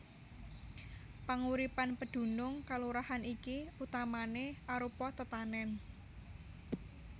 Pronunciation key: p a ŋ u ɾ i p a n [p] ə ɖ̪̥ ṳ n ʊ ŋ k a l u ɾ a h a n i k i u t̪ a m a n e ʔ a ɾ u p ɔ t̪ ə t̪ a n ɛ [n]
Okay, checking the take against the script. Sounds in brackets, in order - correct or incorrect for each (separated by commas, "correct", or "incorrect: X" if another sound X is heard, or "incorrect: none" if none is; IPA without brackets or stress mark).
correct, correct